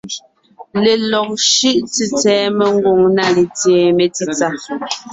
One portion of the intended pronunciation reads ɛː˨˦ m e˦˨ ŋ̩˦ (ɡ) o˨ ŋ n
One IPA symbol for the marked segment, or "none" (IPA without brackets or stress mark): ɡ